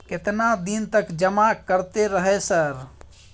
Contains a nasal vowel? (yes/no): no